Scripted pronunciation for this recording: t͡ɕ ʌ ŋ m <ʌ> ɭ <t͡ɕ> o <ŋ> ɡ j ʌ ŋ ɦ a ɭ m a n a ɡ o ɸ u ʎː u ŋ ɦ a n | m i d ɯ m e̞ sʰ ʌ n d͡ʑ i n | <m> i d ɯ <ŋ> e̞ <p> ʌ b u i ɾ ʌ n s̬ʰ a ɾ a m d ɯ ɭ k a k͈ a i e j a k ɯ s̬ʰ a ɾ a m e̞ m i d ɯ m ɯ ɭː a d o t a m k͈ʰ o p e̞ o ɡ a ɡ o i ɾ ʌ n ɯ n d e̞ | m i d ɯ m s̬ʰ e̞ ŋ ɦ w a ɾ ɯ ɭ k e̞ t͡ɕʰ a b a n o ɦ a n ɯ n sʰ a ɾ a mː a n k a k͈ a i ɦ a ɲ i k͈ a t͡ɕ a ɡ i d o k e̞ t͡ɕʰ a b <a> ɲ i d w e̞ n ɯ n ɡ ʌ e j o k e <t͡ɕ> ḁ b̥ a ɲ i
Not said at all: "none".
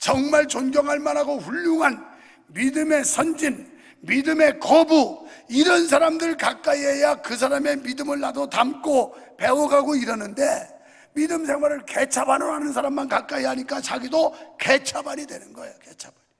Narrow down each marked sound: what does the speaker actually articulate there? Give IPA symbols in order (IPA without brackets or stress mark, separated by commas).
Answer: a, t͡ɕ, n, m, m, k, a, t͡ɕʰ